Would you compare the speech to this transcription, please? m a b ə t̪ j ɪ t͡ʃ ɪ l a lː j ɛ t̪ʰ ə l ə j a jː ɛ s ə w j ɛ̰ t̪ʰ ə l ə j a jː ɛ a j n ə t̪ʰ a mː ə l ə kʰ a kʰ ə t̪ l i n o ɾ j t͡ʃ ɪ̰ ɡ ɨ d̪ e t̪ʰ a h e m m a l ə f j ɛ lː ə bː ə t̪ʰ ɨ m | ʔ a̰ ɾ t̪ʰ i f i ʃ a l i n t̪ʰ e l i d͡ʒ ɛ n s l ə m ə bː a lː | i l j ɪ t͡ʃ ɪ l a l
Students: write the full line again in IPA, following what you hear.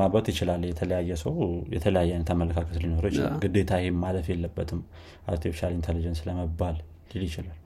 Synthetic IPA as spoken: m a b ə t̪ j ɪ t͡ʃ ɪ l a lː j ɛ t̪ʰ ə l ə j a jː ɛ s ə w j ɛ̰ t̪ʰ ə l ə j a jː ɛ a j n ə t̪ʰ a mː ə l ə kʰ a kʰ ə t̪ l i n o ɾ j t͡ʃ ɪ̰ ɡ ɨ d̪ e t̪ʰ a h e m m a l ə f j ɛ lː ə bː ə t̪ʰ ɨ m | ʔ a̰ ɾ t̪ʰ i f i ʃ a l i n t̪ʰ e l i d͡ʒ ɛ n s l ə m ə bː a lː | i l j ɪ t͡ʃ ɪ l a l